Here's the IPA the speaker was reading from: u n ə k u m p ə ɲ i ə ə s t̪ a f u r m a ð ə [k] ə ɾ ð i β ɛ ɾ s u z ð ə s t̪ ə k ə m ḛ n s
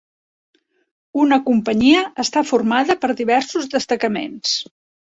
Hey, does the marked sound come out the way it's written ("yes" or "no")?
no